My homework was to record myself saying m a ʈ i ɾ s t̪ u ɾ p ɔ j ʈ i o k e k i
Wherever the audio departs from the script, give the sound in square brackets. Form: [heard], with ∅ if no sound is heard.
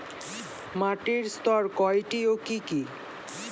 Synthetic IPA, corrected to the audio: m a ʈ i ɾ s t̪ [ɔ] ɾ [k] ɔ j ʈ i o k [i] k i